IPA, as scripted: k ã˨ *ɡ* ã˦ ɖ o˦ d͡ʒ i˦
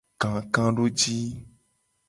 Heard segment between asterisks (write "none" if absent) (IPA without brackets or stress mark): k